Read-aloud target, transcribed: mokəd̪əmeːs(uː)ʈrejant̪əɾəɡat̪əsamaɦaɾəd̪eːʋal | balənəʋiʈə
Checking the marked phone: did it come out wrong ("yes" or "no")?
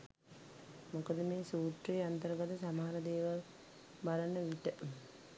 no